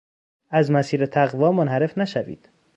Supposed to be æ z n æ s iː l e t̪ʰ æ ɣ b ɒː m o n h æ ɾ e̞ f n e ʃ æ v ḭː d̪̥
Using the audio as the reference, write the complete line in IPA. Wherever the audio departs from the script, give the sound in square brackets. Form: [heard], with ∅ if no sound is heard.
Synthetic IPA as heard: æ z [m] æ s iː [ɾ] e t̪ʰ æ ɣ [v] ɒː m o n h æ ɾ e̞ f n [æ] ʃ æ v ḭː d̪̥